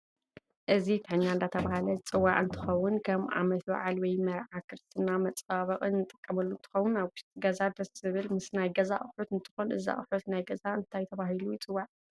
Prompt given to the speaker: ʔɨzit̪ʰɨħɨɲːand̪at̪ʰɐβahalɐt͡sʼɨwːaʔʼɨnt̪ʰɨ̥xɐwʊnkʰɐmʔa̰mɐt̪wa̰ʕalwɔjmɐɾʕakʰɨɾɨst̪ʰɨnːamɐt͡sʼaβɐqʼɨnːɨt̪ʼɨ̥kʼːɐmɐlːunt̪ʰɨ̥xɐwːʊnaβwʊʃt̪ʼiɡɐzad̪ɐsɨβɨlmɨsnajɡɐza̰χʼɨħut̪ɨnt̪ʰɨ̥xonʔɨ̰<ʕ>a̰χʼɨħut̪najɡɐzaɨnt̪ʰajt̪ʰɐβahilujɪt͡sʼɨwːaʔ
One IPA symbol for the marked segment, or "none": z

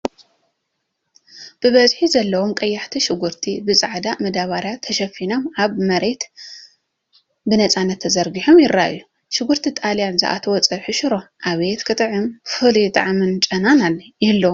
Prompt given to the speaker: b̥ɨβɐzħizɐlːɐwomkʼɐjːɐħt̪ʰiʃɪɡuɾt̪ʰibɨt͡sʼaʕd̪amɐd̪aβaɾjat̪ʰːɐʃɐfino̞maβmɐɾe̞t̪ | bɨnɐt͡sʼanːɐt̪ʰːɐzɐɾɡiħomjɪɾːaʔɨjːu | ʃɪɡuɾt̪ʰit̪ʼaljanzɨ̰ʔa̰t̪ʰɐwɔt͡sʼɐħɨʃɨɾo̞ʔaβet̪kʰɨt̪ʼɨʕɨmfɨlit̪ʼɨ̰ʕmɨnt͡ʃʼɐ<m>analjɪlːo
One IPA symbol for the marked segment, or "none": n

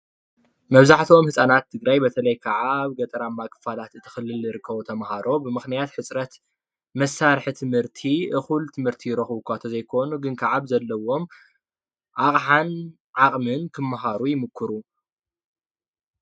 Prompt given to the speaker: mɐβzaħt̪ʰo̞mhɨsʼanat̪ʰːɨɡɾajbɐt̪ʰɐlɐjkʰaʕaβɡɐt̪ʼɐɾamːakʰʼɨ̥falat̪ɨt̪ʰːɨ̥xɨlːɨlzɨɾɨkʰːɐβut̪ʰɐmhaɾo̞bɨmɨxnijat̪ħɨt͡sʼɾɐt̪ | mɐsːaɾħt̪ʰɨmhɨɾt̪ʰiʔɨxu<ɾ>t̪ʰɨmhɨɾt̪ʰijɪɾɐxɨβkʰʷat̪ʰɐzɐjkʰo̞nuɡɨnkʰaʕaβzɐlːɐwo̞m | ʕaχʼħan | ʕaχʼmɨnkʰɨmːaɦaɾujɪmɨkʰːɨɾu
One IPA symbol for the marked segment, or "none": l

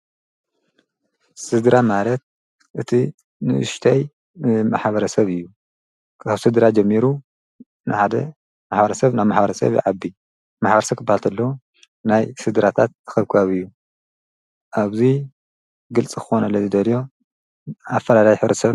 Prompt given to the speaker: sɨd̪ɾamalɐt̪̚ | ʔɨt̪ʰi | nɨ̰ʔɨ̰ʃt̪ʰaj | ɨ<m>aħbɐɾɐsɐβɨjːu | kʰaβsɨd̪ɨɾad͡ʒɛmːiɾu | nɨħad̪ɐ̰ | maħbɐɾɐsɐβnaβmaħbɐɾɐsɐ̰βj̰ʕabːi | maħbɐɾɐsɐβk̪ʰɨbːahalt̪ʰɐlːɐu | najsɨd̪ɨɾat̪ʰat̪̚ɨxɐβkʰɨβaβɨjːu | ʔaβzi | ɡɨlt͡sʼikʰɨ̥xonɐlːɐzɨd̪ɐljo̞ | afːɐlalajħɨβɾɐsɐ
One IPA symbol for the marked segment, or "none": m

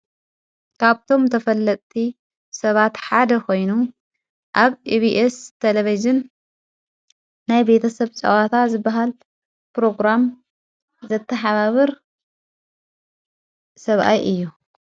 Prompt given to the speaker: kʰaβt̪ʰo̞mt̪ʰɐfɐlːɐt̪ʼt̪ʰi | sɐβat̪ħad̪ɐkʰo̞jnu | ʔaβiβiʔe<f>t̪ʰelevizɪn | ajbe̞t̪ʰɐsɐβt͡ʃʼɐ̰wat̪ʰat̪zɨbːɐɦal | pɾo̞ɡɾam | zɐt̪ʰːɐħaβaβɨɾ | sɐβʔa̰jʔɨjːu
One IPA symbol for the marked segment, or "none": s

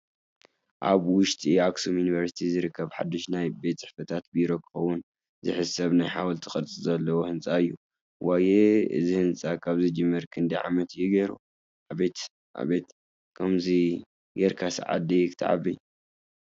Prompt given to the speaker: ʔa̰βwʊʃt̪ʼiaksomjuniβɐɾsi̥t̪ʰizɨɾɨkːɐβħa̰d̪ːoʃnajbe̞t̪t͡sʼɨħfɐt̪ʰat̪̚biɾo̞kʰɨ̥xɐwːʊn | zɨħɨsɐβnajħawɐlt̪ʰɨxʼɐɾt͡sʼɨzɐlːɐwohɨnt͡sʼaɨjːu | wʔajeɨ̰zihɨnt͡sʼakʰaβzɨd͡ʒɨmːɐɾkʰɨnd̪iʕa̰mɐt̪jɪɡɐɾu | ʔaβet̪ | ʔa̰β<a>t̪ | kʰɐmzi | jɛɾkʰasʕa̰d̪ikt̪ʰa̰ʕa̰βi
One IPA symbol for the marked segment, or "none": e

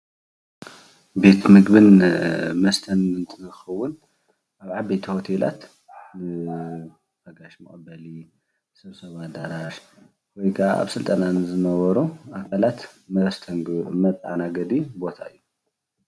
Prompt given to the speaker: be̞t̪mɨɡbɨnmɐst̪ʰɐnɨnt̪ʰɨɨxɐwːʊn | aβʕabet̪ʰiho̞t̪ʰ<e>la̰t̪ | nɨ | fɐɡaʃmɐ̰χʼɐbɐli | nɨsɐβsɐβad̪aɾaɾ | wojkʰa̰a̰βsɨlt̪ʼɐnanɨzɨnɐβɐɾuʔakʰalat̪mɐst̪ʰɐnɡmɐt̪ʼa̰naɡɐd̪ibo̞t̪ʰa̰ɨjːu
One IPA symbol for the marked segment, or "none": e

